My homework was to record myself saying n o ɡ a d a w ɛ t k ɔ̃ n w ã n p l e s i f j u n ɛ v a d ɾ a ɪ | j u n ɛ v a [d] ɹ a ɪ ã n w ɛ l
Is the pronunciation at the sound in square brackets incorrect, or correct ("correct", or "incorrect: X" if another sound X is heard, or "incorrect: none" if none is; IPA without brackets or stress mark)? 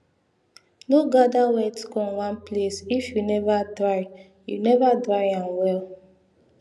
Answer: correct